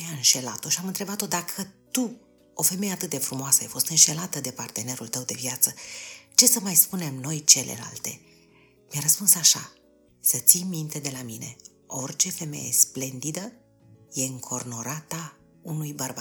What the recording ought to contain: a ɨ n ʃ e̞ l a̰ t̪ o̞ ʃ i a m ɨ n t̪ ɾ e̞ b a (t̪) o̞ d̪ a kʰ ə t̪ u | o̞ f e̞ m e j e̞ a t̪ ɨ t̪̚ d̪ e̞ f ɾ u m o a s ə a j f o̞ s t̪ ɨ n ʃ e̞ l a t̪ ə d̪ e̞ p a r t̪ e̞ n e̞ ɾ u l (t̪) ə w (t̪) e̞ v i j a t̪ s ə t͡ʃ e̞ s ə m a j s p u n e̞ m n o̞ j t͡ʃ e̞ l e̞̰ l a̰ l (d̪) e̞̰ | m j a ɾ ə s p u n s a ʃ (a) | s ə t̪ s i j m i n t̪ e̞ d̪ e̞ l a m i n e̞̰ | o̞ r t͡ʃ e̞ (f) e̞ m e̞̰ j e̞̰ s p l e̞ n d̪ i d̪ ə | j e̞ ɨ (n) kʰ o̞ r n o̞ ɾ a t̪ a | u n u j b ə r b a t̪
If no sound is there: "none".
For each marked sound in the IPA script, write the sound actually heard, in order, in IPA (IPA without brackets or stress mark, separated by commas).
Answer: t̪, t̪, d̪, t̪, a, f, ŋ